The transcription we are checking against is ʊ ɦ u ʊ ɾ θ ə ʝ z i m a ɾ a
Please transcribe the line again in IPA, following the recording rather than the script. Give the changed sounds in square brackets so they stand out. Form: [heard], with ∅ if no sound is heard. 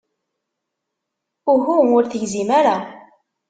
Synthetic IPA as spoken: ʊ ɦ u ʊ ɾ θ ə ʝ z i m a ɾ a

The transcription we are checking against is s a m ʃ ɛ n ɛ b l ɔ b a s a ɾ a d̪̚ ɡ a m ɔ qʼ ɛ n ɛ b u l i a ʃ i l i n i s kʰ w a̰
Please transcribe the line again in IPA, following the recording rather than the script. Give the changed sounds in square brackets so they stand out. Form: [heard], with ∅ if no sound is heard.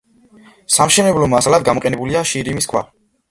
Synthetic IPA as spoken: s a m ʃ ɛ n ɛ b l ɔ [m] a s a [l] a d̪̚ ɡ a m ɔ qʼ ɛ n ɛ b u l i a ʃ i [ɾ] i [m] i s kʰ w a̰

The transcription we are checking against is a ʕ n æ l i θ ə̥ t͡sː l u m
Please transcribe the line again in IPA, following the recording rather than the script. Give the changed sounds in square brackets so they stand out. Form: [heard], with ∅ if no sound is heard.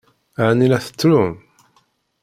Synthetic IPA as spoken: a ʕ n [i] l [æ] θ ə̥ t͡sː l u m

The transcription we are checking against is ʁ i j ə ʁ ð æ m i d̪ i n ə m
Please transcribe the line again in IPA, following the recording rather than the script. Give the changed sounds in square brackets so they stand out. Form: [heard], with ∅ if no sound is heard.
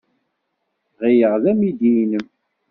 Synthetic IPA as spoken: ʁ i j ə ʁ ð æ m i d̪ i n ə m

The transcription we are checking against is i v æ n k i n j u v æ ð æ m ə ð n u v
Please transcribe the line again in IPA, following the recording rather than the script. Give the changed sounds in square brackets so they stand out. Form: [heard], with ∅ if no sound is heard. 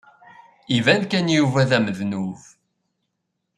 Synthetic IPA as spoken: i v æ n k [æ] n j u v æ ð æ m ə ð n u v

